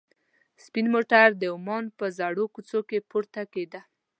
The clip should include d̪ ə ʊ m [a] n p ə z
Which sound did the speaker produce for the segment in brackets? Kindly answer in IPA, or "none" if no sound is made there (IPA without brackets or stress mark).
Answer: ɑ